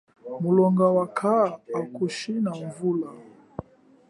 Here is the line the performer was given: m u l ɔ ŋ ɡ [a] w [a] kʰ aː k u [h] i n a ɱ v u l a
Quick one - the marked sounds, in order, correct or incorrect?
correct, correct, incorrect

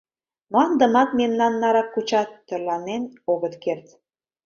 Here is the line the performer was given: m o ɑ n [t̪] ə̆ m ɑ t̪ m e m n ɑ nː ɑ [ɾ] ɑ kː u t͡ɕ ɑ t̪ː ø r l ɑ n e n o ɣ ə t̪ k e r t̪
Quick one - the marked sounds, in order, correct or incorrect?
incorrect, correct

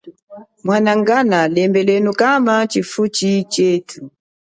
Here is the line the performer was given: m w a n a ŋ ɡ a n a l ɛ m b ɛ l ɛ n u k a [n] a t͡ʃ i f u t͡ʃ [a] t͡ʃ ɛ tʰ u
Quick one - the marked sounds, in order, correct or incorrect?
incorrect, incorrect

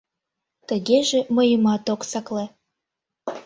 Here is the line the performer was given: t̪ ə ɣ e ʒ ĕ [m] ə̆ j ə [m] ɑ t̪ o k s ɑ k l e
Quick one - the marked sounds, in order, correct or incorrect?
correct, correct

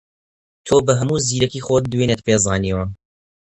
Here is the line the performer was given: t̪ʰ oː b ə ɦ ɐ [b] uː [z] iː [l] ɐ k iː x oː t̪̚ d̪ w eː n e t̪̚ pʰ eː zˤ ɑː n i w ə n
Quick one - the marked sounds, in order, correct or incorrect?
incorrect, correct, incorrect

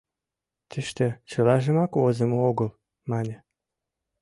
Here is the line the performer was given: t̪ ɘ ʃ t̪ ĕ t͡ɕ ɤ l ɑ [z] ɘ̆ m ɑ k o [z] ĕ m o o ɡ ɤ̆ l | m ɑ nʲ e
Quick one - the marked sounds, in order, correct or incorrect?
incorrect, correct

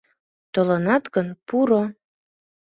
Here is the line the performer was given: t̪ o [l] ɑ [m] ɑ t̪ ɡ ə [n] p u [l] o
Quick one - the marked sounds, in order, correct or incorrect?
correct, incorrect, correct, incorrect

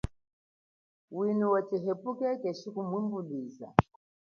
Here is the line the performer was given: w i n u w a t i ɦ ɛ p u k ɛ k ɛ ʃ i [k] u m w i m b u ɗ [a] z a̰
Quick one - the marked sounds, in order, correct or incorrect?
correct, incorrect

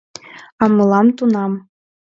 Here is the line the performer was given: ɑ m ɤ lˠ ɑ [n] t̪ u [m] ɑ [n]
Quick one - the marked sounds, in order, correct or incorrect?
incorrect, incorrect, incorrect

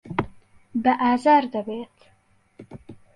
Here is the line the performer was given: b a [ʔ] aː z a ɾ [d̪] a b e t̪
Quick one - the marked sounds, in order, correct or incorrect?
correct, correct

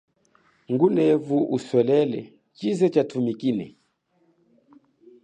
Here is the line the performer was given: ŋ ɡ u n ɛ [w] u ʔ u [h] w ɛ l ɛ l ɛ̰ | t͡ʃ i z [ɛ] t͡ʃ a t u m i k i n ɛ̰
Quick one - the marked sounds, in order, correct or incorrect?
incorrect, incorrect, correct

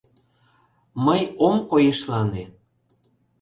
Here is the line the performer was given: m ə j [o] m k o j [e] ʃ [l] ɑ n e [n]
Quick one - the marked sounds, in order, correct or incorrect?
correct, correct, correct, incorrect

